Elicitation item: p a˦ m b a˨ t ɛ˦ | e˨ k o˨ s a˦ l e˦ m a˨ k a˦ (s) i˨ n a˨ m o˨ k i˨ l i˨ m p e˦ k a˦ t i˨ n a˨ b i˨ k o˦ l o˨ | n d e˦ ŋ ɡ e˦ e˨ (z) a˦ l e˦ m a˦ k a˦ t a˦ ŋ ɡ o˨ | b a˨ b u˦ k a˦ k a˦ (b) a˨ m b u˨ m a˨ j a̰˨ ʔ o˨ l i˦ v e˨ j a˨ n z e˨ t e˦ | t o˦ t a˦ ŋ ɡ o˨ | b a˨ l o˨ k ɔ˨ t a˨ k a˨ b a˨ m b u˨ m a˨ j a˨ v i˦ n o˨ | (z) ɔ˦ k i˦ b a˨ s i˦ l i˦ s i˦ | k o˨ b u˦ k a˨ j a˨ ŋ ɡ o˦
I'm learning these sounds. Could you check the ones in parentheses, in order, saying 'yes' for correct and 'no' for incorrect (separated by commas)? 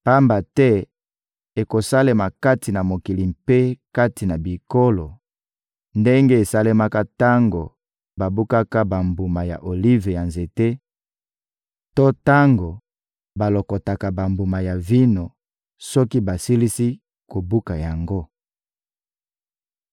no, no, yes, no